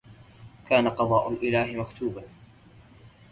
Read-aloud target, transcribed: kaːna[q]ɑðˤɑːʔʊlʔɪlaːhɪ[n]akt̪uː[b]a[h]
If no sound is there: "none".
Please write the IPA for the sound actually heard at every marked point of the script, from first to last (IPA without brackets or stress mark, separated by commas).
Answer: q, m, b, none